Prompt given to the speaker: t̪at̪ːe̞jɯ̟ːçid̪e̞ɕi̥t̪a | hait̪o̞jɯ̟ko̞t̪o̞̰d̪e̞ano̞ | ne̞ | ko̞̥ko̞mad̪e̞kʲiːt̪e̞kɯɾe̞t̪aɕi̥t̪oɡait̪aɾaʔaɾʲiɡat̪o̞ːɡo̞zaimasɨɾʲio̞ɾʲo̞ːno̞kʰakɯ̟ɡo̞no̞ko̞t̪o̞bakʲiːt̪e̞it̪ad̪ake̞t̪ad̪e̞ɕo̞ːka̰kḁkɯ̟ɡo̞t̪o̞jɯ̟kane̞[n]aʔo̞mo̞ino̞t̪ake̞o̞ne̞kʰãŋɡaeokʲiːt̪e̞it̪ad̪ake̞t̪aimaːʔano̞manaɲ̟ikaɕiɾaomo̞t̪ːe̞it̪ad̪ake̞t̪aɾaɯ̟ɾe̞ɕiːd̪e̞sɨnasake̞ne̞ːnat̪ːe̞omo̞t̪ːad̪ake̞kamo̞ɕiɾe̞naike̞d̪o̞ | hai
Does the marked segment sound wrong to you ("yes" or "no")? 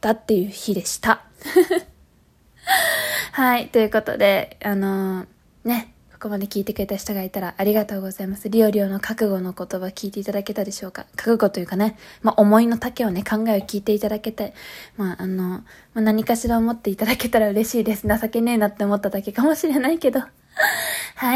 yes